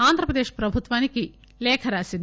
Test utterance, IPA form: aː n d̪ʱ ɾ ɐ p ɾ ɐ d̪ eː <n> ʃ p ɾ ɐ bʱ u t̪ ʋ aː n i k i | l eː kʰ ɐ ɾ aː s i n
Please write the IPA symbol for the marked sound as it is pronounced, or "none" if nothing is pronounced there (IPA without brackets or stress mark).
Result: none